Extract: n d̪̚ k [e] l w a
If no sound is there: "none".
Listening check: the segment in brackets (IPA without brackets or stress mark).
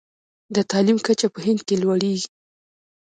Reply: e